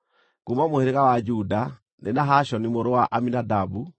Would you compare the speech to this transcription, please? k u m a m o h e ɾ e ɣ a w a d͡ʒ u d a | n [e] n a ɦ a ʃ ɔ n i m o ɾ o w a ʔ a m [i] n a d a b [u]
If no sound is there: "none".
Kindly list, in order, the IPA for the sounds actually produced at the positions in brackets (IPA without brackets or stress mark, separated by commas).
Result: e, i, u